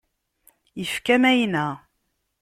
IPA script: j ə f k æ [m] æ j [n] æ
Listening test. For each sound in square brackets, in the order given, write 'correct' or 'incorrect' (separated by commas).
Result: correct, correct